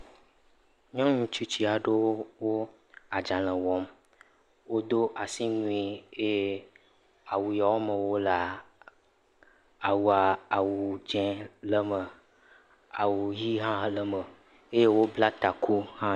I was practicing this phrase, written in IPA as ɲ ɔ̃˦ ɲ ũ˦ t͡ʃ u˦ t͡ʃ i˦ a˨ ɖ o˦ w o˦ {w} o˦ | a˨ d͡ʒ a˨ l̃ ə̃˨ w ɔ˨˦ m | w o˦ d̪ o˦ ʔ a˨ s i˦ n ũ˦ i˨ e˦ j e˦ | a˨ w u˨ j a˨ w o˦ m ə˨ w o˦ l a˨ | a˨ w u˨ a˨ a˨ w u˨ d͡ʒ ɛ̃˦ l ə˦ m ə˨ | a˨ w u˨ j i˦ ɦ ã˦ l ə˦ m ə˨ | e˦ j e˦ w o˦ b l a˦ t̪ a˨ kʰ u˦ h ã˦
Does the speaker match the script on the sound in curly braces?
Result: yes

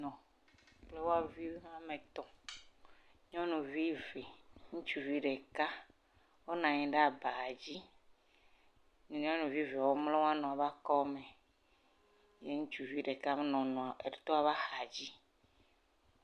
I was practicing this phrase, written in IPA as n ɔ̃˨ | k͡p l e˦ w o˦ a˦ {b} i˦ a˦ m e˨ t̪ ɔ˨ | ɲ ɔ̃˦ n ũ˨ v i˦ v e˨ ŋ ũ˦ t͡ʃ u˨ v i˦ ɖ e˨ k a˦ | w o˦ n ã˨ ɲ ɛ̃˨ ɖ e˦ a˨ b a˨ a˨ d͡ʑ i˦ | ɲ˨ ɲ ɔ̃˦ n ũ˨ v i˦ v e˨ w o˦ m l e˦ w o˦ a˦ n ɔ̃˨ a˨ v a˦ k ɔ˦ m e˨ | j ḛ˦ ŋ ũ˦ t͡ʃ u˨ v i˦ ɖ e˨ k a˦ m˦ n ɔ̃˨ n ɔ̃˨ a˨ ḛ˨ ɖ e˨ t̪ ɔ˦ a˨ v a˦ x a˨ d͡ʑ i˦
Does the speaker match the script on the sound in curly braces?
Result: no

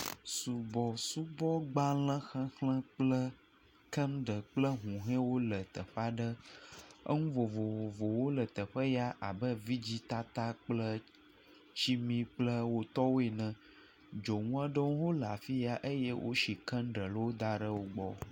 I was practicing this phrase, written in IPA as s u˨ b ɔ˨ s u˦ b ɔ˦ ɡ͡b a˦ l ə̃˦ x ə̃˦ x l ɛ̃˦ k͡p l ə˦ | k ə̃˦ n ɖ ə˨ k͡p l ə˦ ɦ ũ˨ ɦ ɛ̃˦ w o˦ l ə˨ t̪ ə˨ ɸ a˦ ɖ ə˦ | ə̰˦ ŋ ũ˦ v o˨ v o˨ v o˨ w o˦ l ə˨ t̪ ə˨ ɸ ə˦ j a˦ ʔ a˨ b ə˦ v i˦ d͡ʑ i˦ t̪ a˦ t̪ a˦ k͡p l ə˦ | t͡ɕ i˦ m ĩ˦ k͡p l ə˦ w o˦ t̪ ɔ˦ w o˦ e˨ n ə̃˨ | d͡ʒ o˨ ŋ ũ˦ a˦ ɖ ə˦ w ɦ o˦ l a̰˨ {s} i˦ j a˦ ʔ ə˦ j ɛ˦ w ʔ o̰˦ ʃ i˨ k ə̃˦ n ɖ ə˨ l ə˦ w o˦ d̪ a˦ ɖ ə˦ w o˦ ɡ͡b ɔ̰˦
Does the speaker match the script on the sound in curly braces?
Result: no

